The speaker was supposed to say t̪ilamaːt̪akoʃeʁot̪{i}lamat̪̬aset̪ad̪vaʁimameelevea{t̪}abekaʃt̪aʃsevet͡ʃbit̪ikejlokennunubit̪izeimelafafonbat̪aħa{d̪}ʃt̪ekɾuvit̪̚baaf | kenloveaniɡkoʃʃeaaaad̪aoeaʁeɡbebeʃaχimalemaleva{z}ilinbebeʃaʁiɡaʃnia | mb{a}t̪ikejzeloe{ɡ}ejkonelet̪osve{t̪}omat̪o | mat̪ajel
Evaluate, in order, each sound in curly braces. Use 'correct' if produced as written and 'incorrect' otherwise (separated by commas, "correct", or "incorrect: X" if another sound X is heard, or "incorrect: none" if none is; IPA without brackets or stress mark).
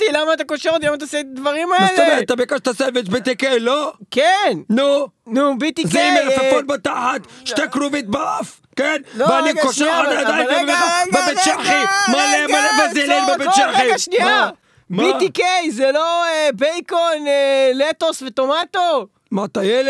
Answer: correct, correct, incorrect: t̪, correct, incorrect: i, incorrect: b, correct